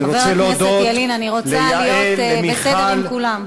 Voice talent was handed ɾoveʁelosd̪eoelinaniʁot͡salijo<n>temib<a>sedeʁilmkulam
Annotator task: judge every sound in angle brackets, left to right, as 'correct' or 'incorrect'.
incorrect, incorrect

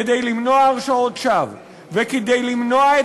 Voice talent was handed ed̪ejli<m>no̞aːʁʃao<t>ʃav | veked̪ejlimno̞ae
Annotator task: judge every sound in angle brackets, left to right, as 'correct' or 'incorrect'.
correct, correct

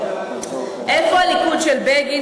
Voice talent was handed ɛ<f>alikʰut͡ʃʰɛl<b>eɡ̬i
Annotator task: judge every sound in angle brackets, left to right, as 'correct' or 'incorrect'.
correct, correct

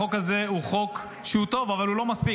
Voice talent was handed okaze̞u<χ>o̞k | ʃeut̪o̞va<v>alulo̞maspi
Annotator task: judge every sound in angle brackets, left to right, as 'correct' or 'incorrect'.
correct, correct

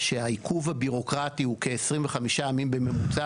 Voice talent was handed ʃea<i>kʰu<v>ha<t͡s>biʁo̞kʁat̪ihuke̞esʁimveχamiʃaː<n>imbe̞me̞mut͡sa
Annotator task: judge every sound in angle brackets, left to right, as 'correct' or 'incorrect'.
correct, correct, incorrect, incorrect

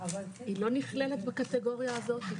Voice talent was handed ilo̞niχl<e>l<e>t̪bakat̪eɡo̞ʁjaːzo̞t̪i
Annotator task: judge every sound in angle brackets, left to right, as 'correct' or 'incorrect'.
correct, correct

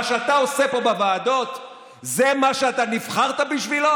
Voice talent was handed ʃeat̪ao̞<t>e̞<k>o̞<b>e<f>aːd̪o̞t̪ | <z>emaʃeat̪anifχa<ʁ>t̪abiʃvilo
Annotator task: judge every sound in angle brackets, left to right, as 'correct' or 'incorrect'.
incorrect, incorrect, correct, incorrect, correct, correct

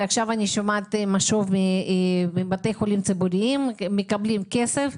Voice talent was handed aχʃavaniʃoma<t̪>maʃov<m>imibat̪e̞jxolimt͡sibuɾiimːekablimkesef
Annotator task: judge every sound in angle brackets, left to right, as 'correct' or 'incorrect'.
correct, correct

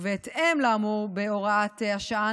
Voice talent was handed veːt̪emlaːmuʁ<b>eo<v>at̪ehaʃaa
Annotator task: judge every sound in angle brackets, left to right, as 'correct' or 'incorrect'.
correct, incorrect

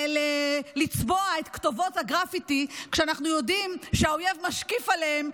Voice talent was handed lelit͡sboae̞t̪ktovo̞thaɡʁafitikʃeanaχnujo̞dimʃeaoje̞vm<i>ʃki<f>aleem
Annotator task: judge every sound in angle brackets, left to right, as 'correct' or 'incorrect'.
incorrect, correct

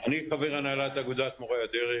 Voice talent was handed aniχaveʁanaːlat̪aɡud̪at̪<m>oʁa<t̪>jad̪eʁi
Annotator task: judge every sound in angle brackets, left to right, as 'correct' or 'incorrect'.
correct, incorrect

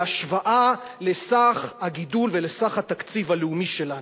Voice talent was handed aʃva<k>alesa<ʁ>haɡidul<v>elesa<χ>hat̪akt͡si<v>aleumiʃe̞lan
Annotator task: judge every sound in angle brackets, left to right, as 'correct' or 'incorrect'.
incorrect, incorrect, correct, correct, correct

